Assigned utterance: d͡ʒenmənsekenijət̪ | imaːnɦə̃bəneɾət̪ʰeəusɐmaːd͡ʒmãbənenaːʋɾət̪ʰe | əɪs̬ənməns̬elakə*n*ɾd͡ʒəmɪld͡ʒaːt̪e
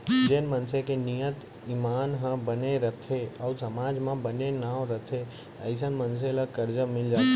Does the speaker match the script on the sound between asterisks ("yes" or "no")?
no